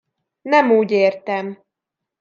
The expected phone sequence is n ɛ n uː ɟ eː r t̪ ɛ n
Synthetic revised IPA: n ɛ m uː ɟ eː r t̪ ɛ m